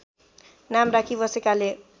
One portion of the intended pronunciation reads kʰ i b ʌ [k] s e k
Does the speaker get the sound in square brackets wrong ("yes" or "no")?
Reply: yes